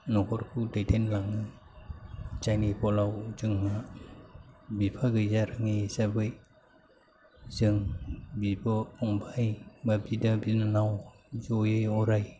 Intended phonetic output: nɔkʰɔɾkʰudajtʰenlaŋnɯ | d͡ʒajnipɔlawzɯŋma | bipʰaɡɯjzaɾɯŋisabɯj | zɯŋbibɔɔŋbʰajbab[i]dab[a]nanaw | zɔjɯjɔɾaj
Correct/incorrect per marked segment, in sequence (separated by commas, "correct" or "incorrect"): correct, incorrect